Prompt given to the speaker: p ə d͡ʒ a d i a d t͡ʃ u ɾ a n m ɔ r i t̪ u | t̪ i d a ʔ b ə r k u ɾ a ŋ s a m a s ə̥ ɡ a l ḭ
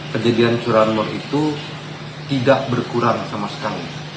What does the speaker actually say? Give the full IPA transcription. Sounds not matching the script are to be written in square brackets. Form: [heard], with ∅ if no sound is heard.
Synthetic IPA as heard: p ə d͡ʒ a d i a [n] t͡ʃ u ɾ a n m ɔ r i t̪ u | t̪ i d a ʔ b ə r k u ɾ a ŋ s a m a s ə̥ [k] a l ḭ